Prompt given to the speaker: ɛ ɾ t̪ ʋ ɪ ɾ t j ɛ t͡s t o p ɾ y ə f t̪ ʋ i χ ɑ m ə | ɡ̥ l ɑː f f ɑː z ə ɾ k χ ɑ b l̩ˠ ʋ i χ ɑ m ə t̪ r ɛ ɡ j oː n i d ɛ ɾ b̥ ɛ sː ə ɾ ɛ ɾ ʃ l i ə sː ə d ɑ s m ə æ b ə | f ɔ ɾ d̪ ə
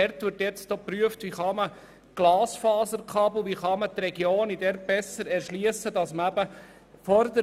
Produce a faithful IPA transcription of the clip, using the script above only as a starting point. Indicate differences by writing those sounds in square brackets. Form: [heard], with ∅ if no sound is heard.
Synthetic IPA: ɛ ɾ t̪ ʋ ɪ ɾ t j ɛ t͡s t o p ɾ y ə f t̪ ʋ i χ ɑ m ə | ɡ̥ l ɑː [s] f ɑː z ə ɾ k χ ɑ b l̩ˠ ʋ i χ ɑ m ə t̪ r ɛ ɡ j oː n i d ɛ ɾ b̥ ɛ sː ə ɾ ɛ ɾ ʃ l i ə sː ə d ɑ s m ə æ b ə | f ɔ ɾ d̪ ə